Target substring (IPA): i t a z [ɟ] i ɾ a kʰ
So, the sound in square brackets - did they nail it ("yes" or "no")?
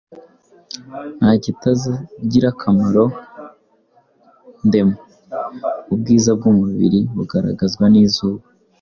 yes